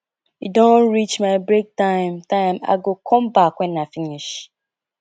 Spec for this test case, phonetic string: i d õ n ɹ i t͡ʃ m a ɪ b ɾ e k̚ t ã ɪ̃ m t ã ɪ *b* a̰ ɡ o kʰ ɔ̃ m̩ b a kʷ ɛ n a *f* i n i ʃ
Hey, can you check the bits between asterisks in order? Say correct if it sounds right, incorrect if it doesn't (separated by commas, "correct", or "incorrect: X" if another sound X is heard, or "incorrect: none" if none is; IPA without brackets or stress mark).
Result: incorrect: m, correct